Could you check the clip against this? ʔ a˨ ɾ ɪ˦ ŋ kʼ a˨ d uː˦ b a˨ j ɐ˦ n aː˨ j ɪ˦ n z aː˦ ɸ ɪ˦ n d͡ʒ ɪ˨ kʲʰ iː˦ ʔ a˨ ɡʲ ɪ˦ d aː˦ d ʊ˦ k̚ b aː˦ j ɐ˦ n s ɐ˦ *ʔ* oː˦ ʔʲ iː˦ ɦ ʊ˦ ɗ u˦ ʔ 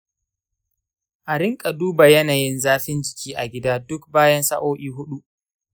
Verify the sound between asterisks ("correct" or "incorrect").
correct